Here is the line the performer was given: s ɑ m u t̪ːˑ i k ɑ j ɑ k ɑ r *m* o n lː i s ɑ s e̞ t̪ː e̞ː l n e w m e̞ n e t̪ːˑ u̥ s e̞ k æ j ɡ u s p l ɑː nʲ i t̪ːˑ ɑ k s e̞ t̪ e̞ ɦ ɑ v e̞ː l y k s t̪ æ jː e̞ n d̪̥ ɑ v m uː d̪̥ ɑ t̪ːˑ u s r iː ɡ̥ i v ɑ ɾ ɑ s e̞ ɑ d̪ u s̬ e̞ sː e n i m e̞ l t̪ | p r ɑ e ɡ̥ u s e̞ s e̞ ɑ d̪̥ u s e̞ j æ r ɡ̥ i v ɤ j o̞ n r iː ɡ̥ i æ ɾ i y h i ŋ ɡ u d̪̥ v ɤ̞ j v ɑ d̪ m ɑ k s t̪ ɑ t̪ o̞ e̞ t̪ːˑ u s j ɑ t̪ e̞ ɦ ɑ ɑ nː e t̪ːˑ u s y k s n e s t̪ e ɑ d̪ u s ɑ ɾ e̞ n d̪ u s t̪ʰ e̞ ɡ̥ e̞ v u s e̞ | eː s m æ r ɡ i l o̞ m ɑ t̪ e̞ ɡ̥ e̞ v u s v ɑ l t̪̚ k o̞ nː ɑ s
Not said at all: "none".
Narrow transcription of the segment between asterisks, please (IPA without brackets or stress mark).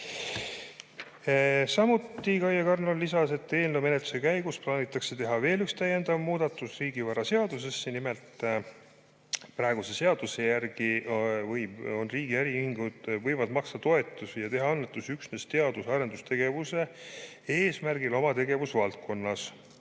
n